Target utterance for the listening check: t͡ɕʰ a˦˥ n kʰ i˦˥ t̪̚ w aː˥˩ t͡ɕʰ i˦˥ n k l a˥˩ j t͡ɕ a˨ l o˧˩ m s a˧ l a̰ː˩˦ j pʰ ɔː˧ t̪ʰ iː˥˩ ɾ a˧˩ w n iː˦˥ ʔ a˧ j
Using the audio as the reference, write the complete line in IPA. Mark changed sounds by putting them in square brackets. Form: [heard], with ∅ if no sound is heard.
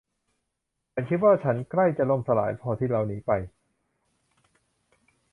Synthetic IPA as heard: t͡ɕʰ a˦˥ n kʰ i˦˥ t̪̚ w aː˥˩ t͡ɕʰ [a˦˥] n k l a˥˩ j t͡ɕ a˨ l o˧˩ m s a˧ l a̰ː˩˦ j pʰ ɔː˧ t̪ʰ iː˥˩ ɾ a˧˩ w n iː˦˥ [p] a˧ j